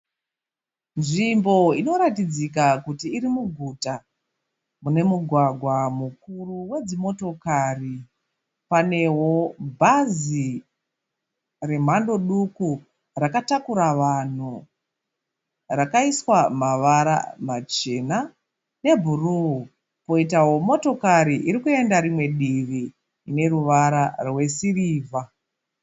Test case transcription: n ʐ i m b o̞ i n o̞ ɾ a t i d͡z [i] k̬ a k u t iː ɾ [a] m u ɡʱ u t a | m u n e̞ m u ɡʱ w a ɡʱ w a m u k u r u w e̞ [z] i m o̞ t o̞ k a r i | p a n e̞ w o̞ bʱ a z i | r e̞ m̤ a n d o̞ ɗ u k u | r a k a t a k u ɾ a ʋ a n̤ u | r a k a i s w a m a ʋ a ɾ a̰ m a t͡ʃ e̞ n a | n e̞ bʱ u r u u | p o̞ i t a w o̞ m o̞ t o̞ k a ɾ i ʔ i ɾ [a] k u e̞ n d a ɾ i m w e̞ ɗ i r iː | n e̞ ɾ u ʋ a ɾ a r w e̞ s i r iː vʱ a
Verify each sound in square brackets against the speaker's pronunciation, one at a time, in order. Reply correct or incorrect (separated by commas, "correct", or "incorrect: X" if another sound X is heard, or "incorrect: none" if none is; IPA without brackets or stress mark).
correct, incorrect: i, incorrect: d͡z, incorrect: i